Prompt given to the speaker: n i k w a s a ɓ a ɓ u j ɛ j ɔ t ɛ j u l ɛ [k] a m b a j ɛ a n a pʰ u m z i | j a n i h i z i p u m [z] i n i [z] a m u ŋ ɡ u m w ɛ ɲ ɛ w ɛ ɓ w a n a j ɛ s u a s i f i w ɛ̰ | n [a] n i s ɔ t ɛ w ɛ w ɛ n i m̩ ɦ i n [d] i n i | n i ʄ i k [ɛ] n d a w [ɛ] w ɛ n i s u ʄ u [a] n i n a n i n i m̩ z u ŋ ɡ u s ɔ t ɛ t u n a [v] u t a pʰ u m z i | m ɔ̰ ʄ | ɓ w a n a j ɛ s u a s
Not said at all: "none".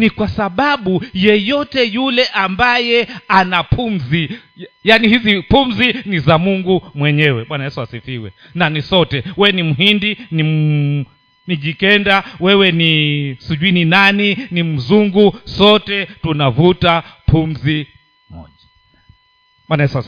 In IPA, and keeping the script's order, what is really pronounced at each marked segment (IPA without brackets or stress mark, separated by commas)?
ʔ, z, z, a, d, ɛ, ɛ, i, v